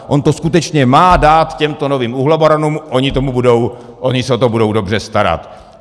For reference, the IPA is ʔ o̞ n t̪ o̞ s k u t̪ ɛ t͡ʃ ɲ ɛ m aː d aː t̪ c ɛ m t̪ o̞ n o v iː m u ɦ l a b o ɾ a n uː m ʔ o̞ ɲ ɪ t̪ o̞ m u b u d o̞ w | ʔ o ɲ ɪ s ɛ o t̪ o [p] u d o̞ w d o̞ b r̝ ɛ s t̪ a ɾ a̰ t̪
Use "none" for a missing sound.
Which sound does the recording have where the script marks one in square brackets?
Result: b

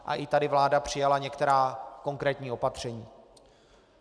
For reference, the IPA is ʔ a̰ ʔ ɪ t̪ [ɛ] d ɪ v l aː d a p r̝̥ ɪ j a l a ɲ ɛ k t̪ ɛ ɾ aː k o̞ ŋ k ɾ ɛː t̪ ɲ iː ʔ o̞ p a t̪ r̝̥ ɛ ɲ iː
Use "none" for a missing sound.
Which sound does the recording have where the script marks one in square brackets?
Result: a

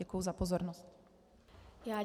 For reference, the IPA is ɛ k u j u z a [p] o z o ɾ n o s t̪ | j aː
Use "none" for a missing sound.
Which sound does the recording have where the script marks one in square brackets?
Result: p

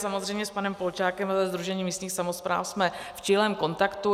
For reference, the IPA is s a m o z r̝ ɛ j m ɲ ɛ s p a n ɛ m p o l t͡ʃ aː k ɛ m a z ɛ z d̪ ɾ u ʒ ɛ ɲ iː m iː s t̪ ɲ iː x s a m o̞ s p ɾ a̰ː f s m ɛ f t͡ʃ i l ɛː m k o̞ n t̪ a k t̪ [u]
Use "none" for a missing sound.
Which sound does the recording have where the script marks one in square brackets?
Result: u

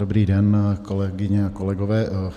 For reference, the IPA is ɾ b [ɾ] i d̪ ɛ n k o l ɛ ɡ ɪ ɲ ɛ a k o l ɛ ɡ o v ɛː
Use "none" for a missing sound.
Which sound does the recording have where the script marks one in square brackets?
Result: ɾ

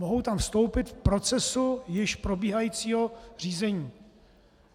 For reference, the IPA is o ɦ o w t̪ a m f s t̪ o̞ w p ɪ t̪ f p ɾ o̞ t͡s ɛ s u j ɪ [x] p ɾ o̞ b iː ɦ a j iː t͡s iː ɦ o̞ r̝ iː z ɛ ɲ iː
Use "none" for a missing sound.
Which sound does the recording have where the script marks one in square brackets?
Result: ʃ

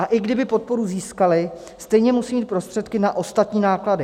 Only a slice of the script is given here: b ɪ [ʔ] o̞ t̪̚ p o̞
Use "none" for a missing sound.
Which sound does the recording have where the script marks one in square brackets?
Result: p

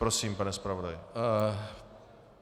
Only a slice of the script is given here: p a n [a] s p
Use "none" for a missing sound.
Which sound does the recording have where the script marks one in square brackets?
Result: ɛ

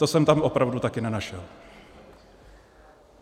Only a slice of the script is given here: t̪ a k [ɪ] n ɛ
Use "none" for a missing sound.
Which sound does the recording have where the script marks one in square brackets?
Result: ɪ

